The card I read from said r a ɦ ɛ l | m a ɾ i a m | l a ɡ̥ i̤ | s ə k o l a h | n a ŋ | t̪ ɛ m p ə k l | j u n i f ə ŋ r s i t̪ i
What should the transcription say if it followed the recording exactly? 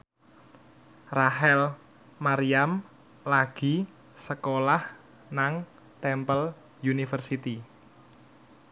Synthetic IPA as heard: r a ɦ ɛ l | m a ɾ i a m | l a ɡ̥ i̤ | s ə k o l a h | n a ŋ | t̪ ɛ m p ə l | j u n i f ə r s i t̪ i